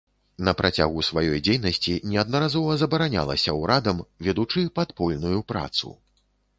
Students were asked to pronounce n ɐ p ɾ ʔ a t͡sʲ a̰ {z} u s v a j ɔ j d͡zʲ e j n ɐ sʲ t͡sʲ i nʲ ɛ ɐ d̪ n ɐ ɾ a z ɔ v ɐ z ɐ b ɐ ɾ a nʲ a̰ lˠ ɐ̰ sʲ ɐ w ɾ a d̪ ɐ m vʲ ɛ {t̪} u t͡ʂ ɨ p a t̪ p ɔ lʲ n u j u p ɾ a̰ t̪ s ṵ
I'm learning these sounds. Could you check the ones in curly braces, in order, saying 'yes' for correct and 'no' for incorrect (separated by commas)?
no, no